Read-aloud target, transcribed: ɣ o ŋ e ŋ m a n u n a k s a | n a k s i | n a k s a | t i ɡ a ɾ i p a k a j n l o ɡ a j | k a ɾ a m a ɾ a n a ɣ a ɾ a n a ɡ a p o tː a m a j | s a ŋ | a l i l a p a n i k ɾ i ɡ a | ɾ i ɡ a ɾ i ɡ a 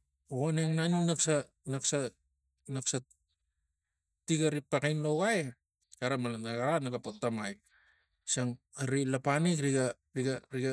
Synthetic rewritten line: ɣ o n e ŋ n a n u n a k s a | n a k s a | n a k s a | t i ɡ a ɾ i p a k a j n l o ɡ a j | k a ɾ a m a l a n a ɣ a ɾ a n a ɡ a p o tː a m a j | s a ŋ | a ɾ i l a p a n i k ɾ i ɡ a | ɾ i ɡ a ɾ i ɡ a